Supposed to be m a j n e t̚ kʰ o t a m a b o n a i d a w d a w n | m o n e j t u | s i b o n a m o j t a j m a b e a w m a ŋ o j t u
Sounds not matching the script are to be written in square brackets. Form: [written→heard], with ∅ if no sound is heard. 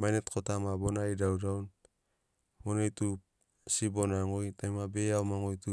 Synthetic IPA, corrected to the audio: m a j n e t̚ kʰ o t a m a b o n a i d a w d a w n | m o n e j t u | s i b o n a [m→ŋ] o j t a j m a b e a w m a ŋ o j t u